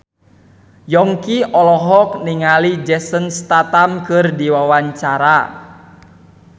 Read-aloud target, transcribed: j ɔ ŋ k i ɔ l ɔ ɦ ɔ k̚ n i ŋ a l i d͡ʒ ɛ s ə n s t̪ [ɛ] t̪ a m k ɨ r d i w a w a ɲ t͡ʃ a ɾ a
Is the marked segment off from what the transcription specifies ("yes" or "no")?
yes